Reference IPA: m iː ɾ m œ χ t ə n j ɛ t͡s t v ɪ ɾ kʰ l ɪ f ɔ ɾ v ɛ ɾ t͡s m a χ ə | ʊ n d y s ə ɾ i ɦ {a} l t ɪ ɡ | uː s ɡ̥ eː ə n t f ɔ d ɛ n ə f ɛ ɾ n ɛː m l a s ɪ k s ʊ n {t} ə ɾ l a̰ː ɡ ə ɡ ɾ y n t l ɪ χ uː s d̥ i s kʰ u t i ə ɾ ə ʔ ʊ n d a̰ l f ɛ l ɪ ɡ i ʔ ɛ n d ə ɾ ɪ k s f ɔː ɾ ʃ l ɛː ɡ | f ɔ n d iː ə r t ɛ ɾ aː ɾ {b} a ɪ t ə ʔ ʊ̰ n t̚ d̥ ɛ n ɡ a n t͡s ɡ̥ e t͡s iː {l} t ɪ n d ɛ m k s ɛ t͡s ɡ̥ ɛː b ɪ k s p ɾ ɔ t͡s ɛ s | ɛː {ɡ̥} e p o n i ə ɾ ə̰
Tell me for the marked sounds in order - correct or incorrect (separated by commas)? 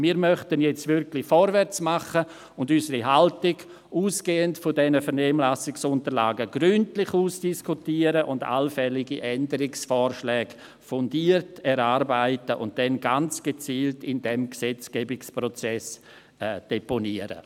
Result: correct, correct, correct, correct, incorrect